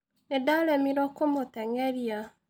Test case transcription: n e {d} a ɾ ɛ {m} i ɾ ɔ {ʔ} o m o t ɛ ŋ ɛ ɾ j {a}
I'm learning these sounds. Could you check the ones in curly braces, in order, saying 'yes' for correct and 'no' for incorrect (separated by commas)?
yes, yes, no, yes